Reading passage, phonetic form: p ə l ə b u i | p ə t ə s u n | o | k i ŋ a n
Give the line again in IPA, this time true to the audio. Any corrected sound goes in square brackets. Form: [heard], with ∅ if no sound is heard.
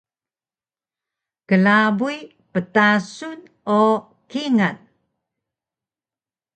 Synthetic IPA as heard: [k] ə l [a] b u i | p ə t [a] s u n | o | k i ŋ a n

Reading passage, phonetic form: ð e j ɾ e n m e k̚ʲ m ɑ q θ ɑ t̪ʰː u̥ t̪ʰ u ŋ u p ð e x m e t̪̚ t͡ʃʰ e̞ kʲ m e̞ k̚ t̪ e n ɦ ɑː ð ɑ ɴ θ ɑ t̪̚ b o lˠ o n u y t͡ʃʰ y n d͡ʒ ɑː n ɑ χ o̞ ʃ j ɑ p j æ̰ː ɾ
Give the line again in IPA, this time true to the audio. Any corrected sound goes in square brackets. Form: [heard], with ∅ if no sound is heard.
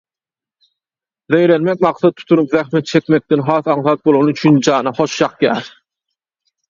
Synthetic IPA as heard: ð e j ɾ e n m e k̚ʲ m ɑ q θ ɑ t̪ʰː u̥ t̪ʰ u [n] u p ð [æ] x m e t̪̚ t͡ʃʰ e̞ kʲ m e̞ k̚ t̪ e n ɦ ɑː [θ] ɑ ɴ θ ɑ t̪̚ b o lˠ o n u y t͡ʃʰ y n d͡ʒ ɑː n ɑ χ o̞ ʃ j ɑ [q] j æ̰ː ɾ

